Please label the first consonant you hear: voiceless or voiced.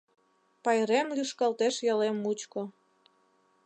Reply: voiceless